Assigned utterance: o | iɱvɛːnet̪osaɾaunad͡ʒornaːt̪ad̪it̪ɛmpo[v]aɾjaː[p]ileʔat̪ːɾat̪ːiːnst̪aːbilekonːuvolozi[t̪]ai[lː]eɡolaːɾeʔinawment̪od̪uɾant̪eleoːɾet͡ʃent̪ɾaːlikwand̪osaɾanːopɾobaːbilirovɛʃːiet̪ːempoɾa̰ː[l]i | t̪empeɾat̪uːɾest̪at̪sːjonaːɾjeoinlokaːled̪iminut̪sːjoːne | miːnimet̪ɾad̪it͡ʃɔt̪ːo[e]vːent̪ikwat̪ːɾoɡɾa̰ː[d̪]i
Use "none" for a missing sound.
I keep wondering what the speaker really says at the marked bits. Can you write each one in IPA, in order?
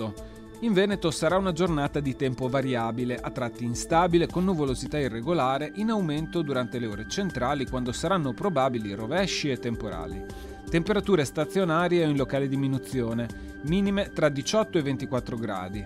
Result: v, b, t̪, rː, l, e, d̪

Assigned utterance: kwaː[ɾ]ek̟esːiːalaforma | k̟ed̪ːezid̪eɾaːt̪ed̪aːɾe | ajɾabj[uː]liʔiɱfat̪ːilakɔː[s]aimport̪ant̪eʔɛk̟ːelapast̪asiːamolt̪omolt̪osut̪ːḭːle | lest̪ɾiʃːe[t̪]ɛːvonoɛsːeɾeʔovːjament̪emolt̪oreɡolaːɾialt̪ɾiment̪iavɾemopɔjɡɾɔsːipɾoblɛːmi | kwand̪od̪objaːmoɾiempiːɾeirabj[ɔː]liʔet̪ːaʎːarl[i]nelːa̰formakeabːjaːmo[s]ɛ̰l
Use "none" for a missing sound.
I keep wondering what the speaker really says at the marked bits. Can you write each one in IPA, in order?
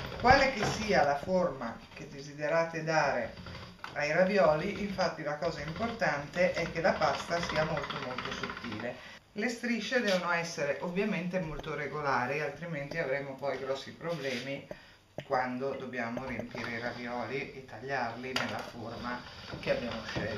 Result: l, ɔː, z, d̪, ɔː, i, ʃ

